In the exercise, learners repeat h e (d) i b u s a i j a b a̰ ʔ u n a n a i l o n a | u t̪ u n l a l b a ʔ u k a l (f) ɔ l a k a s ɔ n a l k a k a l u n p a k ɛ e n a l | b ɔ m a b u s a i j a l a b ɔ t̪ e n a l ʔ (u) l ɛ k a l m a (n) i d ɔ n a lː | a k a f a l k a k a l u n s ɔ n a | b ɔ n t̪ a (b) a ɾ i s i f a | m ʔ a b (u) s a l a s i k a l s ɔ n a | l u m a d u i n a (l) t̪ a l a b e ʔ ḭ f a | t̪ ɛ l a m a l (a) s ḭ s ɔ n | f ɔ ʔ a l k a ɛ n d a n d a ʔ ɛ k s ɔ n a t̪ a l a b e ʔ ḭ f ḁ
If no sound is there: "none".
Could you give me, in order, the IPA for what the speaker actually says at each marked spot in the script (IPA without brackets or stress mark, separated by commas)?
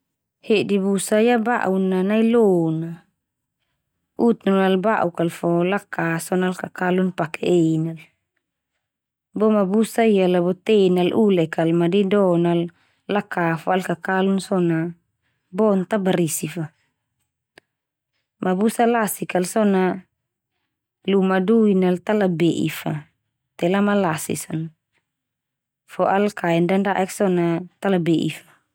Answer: d, f, u, d, b, u, l, a